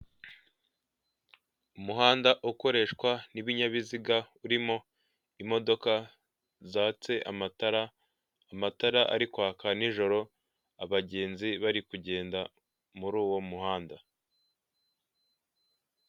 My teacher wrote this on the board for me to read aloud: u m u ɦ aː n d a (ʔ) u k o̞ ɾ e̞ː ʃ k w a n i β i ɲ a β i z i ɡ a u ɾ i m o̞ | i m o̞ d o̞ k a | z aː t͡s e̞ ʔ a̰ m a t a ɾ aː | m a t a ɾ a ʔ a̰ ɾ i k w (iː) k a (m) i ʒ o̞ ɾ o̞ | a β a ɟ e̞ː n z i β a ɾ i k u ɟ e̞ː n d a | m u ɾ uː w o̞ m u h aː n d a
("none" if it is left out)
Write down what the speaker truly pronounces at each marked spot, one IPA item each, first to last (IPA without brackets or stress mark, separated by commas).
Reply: ʔ, aː, n